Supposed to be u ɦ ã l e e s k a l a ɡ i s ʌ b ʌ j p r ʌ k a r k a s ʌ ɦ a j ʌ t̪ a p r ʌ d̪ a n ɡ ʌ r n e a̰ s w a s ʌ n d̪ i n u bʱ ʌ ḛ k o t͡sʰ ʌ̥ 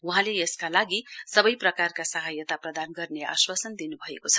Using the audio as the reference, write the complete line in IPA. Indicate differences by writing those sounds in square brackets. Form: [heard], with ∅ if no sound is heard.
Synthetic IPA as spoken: u ɦ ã l e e s k a l a ɡ i s ʌ b ʌ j p r ʌ k a r k a s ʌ ɦ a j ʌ t̪ a p r ʌ d̪ a n ɡ ʌ r n e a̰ s w a s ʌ n d̪ i n u bʱ ʌ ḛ k o t͡sʰ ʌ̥

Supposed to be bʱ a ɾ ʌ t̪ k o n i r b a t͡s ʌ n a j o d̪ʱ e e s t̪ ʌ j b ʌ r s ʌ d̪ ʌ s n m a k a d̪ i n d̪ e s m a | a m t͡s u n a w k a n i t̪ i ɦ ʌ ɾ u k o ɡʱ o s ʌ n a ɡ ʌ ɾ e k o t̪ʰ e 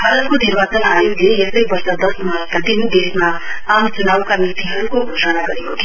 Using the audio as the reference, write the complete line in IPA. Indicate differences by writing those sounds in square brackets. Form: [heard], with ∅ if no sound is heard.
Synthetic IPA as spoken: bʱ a ɾ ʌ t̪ k o n i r b a t͡s ʌ n a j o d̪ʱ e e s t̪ ʌ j b ʌ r s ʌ d̪ ʌ s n m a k a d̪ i n d̪ e s m a | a m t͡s u n a w k a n i t̪ i ɦ ʌ ɾ u k o ɡʱ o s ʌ n a ɡ ʌ ɾ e k o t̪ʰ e

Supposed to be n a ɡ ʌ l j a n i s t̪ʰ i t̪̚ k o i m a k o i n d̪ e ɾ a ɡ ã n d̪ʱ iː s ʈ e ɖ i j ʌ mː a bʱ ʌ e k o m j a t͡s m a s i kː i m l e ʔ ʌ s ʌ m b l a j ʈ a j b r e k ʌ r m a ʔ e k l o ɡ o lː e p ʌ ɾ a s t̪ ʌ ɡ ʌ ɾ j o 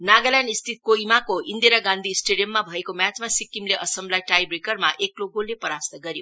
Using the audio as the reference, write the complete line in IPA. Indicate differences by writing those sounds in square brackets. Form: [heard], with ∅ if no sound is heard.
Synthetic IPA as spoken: n a ɡ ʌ l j a n i s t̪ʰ i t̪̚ k o i m a k o i n d̪ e ɾ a ɡ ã n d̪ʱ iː s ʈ e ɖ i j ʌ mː a bʱ ʌ e k o m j a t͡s m a s i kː i m l e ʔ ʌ s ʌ m b l a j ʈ a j b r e k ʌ r m a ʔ e k l o ɡ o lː e p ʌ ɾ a s t̪ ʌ ɡ ʌ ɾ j o

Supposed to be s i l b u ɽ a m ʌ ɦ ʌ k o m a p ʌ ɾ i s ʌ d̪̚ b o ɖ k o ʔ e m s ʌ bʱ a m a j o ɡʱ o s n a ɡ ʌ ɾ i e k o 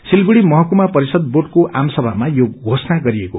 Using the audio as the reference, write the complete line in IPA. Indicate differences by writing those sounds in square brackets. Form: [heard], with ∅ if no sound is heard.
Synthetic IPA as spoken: s i l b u ɽ [i] m ʌ ɦ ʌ k [u] m a p ʌ ɾ i s ʌ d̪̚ b o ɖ k o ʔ [a] m s ʌ bʱ a m a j o ɡʱ o s n a ɡ ʌ ɾ i e k o

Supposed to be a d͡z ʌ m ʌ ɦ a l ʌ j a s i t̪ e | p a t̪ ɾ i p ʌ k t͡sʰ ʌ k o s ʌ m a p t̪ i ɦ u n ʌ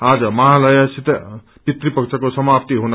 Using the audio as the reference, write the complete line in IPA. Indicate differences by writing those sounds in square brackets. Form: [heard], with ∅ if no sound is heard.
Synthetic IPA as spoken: a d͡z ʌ m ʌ ɦ a l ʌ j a s i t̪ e | p [i] t̪ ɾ i p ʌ k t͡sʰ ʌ k o s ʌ m a p t̪ i ɦ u n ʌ

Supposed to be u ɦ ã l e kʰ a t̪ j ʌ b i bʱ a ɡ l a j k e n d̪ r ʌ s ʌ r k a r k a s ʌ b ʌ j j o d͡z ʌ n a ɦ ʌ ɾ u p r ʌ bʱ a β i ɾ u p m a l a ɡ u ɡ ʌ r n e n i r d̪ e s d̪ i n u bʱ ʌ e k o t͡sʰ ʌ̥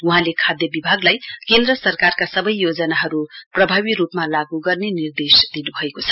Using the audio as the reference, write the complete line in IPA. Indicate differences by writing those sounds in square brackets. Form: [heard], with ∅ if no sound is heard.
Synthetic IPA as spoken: u ɦ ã l e kʰ a [d̪] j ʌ b i bʱ a ɡ l a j k e n d̪ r ʌ s ʌ r k a r k a s ʌ b ʌ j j o d͡z ʌ n a ɦ ʌ ɾ u p r ʌ bʱ a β i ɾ u p m a l a ɡ u ɡ ʌ r n e n i r d̪ e s d̪ i n u bʱ ʌ e k o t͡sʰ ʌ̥

